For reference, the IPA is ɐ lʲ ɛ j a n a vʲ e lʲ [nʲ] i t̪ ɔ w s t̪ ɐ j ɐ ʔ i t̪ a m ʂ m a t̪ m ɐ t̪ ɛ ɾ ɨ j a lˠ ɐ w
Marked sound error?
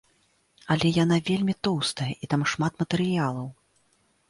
yes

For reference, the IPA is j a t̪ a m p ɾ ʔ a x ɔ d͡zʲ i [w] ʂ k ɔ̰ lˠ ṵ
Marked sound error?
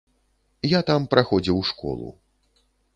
no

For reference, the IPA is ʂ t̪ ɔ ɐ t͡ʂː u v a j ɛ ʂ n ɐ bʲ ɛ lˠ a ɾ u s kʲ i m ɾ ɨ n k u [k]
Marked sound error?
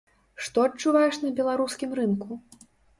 yes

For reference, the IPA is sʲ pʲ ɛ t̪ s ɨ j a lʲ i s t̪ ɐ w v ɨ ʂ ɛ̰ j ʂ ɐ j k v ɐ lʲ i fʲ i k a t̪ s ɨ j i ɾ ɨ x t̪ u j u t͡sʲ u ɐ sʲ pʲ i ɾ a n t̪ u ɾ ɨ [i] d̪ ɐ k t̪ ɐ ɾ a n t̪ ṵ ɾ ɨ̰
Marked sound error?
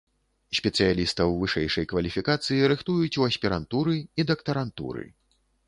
no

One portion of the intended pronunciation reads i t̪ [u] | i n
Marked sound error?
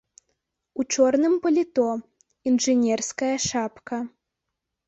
yes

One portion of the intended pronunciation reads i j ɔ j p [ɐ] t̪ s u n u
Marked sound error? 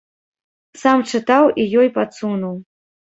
yes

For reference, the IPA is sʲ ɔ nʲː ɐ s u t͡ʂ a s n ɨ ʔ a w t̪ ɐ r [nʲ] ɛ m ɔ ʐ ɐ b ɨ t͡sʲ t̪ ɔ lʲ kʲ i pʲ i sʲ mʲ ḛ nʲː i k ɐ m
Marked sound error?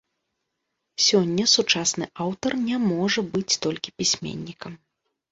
no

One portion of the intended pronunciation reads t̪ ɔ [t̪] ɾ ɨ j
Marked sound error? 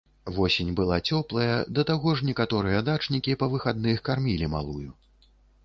yes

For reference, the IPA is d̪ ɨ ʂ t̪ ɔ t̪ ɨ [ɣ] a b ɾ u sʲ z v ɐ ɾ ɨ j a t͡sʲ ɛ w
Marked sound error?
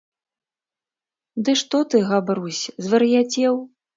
no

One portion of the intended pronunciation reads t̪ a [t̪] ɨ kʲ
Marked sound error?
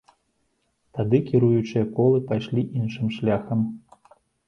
yes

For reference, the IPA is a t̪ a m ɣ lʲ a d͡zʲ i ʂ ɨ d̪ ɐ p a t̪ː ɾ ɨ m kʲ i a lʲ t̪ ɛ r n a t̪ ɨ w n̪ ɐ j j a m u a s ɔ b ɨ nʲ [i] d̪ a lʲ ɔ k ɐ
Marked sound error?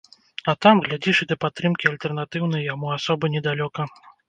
yes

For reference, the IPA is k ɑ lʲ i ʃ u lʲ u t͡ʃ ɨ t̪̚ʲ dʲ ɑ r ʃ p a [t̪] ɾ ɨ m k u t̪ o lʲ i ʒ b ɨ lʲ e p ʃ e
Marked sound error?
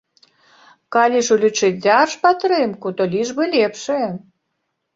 no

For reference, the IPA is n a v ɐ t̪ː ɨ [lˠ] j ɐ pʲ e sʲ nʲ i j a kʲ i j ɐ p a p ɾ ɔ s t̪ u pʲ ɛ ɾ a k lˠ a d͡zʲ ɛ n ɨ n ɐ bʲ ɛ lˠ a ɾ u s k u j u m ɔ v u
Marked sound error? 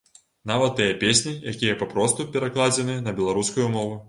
yes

